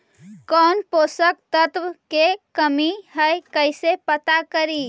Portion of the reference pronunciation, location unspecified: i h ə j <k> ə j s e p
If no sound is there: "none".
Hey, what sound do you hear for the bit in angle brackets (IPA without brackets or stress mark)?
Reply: k